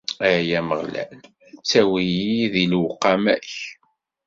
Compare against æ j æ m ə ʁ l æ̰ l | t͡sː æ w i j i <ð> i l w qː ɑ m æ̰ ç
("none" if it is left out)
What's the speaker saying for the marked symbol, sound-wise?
ð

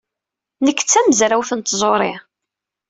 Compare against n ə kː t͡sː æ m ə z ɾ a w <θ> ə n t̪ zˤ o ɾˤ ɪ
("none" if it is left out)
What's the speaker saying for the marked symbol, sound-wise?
θ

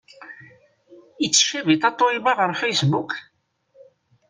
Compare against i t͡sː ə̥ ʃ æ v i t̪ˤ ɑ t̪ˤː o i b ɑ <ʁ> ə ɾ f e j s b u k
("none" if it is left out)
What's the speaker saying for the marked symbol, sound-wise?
ʁ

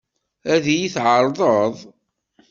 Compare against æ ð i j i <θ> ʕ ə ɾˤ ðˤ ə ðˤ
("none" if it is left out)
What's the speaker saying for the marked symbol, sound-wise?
θ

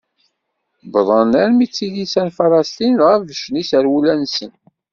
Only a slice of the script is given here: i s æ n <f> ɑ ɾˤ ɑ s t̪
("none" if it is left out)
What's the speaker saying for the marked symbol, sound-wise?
f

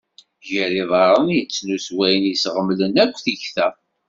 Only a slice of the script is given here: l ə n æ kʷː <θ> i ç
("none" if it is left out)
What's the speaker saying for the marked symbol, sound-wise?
θ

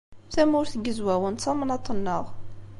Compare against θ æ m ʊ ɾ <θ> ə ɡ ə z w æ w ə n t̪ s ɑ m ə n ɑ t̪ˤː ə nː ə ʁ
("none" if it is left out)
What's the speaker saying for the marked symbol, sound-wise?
θ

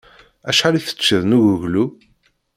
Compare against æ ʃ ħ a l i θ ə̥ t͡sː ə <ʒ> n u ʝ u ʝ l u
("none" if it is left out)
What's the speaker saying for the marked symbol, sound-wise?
ð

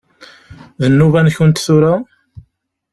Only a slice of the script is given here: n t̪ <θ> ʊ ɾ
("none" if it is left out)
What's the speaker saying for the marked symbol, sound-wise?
θ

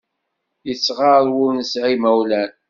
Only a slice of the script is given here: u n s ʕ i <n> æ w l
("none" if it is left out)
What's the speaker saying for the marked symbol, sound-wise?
m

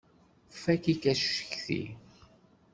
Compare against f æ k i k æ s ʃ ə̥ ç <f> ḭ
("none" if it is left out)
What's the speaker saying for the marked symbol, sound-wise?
θ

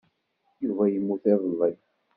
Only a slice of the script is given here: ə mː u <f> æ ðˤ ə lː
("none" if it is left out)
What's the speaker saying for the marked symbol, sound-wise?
θ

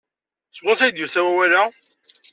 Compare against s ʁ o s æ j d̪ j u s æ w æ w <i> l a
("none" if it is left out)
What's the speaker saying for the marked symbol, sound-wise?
æ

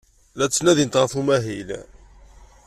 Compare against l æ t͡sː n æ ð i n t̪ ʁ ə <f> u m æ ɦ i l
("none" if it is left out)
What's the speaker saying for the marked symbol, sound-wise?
θ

